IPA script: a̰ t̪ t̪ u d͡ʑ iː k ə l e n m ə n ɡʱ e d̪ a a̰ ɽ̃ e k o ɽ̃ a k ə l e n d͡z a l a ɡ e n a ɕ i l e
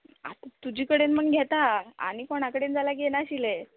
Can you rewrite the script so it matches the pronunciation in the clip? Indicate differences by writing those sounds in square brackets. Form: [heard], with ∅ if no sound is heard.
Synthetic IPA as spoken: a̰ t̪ t̪ u d͡ʑ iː k ə [ɽ] e n m ə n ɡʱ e [t̪] a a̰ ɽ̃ [i] k o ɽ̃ a k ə [ɽ] e n d͡z a l a ɡ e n a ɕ i l e